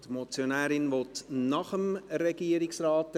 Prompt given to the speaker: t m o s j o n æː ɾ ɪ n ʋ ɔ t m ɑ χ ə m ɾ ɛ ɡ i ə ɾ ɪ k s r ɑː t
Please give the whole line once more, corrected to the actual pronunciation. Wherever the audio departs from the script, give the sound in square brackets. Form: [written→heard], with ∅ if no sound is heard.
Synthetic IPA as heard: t m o [s→t͡s] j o n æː ɾ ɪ n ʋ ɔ t [m→n] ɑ χ ə m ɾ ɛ ɡ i ə ɾ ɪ k s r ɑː t